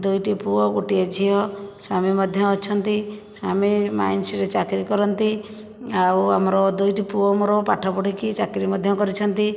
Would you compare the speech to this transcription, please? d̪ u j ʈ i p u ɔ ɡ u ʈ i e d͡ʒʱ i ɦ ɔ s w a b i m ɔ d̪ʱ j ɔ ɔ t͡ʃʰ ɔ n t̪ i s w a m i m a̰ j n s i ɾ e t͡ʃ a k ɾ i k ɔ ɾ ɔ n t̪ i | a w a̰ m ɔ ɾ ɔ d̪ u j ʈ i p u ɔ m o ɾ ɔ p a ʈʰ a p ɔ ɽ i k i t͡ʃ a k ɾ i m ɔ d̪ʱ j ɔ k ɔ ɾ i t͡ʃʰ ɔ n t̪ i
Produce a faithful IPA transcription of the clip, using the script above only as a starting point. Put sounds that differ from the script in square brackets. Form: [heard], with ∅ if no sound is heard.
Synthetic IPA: d̪ u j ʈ i p u ɔ ɡ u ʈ i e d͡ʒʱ i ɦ ɔ s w a [m] i m ɔ d̪ʱ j ɔ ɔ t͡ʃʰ ɔ n t̪ i s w a m i m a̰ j n s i ɾ e t͡ʃ a k ɾ i k ɔ ɾ ɔ n t̪ i | a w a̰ m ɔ ɾ ɔ d̪ u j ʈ i p u ɔ m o ɾ ɔ p a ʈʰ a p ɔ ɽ i k i t͡ʃ a k ɾ i m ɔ d̪ʱ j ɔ k ɔ ɾ i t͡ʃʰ ɔ n t̪ i